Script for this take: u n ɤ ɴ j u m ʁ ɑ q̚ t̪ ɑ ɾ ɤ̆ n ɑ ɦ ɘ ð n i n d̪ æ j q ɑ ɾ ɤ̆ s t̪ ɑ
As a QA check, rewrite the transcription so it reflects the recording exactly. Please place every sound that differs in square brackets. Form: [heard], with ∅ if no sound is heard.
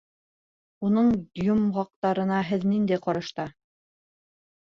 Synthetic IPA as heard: u n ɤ ɴ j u m ʁ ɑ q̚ t̪ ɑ ɾ ɤ̆ n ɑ ɦ ɘ ð n i n d̪ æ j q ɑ ɾ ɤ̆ [ʃ] t̪ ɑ